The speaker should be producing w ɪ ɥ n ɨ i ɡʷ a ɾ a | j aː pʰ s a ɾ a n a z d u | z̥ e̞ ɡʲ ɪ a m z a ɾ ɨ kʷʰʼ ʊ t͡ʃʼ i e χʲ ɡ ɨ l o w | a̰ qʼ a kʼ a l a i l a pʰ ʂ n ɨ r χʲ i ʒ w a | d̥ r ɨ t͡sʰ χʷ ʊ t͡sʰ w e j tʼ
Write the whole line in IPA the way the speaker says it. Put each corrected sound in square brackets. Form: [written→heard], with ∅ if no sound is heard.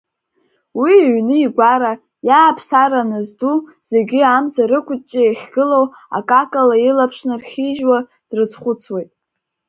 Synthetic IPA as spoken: w [ɪ→i] ɥ n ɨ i ɡʷ a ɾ a | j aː pʰ s a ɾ a n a z d u | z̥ e̞ ɡʲ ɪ a m z a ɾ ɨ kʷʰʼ ʊ t͡ʃʼ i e χʲ ɡ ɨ l o w | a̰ [qʼ→kʼ] a kʼ a l a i l a pʰ ʂ n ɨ r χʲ i ʒ w a | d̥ r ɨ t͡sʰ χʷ ʊ t͡sʰ w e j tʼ